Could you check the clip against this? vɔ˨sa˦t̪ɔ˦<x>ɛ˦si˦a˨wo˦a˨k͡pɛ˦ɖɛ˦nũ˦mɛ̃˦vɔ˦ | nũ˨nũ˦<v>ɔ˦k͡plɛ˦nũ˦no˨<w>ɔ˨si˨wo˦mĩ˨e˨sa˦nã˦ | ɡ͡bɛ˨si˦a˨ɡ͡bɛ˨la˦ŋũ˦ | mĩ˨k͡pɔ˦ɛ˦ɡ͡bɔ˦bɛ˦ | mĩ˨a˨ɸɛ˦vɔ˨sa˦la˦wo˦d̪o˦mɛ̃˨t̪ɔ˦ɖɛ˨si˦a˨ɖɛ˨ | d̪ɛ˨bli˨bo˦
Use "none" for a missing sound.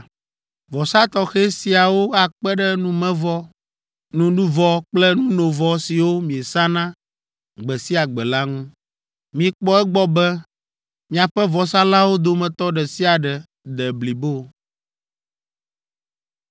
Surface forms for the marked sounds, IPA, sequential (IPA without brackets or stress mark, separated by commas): x, v, v